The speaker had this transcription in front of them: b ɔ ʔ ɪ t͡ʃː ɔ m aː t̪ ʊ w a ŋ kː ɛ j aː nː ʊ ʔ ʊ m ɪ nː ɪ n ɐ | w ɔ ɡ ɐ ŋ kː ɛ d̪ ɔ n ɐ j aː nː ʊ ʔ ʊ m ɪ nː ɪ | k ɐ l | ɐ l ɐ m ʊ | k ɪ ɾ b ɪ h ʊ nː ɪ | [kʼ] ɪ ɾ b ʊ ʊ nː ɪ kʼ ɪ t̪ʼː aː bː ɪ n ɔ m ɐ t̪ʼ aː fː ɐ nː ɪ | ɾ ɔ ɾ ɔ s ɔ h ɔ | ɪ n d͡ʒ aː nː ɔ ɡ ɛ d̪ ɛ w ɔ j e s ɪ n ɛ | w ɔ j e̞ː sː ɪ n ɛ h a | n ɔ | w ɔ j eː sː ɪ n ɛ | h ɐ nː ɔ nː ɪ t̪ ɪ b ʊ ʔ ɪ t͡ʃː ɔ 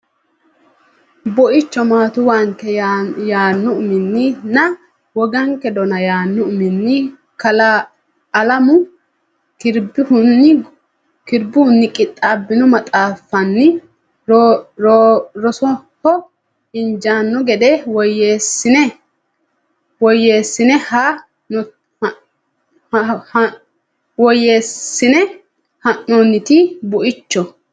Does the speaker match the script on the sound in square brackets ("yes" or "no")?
no